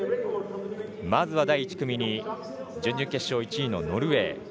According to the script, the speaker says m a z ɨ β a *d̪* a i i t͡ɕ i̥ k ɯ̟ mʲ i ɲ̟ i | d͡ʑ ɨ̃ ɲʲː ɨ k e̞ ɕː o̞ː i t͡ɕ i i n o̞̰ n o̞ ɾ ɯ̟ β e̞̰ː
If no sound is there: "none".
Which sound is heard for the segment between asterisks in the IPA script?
d̪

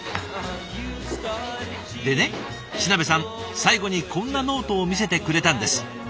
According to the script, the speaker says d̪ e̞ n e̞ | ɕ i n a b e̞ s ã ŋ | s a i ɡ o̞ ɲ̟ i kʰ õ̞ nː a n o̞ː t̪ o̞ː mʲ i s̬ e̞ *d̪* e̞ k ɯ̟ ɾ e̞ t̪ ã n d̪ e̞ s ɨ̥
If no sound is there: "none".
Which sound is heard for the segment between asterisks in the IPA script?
t̪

